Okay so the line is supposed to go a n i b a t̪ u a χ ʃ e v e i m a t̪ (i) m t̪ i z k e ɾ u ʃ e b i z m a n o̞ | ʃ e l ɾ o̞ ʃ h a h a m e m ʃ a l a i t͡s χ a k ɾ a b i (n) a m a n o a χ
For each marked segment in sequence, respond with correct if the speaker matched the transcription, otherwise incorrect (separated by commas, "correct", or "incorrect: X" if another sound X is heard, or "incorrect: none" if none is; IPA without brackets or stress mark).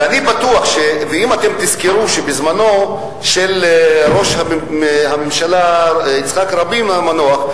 incorrect: e, incorrect: m